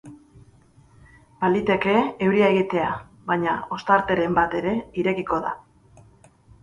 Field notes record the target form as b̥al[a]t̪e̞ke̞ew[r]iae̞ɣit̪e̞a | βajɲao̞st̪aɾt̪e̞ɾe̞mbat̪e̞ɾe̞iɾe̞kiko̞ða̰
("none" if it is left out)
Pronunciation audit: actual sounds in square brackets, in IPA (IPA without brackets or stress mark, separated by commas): i, ɾ